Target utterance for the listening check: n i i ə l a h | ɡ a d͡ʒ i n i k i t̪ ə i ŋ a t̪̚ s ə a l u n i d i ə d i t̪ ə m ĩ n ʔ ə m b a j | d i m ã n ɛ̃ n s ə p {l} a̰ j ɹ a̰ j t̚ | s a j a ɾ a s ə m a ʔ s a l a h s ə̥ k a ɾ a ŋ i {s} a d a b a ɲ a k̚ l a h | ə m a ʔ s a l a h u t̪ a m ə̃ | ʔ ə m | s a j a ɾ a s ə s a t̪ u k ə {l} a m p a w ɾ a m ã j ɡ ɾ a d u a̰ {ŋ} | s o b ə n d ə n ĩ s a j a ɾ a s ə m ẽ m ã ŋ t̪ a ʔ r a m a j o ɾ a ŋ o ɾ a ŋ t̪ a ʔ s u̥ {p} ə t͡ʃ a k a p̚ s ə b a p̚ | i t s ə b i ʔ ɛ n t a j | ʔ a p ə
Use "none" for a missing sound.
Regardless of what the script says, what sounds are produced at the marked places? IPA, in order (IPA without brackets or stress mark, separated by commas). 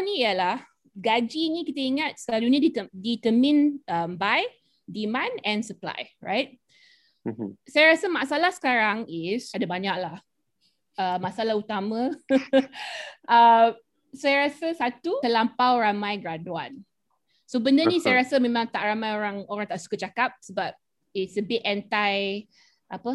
l, s, l, n, k